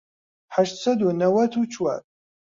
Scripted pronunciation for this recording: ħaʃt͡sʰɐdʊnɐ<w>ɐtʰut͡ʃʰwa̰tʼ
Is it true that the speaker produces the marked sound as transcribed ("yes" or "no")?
yes